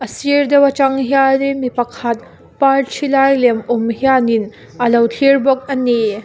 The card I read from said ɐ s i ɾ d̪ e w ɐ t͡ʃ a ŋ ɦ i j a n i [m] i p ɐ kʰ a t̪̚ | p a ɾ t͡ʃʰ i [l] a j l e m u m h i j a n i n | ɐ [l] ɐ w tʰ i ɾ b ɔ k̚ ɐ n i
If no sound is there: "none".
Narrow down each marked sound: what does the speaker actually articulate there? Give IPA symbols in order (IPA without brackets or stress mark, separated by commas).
m, l, l